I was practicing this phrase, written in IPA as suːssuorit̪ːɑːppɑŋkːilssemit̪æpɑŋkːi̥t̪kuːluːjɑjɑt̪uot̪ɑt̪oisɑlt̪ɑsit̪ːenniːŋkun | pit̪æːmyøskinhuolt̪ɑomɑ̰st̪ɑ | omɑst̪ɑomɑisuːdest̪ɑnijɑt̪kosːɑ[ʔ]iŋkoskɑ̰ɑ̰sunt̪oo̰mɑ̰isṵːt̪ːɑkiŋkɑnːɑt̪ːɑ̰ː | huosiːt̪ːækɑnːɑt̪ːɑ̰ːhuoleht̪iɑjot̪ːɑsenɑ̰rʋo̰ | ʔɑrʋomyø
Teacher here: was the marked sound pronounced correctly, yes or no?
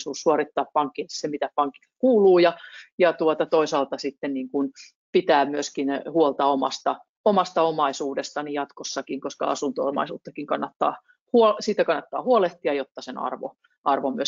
no